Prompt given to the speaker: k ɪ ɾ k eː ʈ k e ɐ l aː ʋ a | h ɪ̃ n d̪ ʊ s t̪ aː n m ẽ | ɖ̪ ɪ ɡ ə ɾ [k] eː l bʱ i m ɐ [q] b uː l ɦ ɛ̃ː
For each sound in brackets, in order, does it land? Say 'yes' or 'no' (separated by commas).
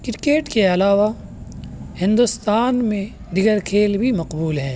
no, yes